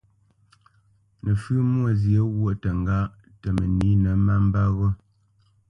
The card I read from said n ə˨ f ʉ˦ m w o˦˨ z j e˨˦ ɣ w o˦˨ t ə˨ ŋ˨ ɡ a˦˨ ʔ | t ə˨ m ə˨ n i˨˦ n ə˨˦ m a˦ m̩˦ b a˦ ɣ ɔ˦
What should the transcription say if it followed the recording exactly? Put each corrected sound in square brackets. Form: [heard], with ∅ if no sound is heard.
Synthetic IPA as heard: n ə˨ f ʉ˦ m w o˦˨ z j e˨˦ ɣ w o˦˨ t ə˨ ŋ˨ ɡ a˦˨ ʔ | t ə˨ m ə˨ n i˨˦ n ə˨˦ m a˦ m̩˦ b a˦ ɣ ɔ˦